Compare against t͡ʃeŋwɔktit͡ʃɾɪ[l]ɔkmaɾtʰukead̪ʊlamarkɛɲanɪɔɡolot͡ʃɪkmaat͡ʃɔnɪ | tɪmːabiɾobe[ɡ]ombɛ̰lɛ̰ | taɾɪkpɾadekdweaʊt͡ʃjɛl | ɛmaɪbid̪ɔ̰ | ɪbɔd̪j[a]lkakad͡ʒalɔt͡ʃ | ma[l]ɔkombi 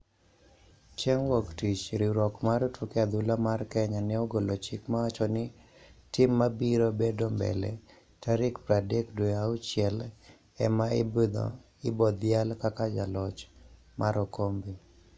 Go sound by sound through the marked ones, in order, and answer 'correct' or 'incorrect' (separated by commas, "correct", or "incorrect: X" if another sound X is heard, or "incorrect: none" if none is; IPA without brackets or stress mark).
incorrect: ɾ, incorrect: d, correct, incorrect: ɾ